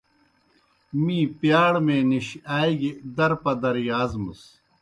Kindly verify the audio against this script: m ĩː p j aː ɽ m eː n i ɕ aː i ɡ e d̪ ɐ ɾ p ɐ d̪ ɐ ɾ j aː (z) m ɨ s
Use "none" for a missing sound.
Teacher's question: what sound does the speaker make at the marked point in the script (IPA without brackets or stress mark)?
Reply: z